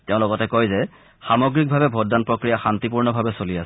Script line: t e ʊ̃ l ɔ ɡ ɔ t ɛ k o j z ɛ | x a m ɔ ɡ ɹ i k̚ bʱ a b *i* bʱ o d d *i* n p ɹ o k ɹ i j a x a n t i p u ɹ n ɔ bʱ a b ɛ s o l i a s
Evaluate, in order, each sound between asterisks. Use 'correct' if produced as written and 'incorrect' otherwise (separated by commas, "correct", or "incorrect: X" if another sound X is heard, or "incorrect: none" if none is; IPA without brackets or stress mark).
incorrect: ɛ, incorrect: a